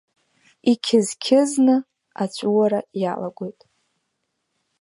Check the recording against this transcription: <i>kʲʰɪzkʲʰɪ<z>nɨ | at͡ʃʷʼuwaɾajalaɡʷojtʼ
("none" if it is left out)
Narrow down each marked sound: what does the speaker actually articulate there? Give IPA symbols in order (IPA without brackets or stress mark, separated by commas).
i, z